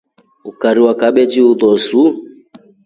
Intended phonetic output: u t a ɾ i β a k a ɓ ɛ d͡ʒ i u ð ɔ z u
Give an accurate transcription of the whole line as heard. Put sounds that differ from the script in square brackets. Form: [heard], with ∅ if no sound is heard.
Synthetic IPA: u [k] a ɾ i [w] a k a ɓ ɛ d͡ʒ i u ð ɔ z u